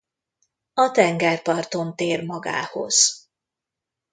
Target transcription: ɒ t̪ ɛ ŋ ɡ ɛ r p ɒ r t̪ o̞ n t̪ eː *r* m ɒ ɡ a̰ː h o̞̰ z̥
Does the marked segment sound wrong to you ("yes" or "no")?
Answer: no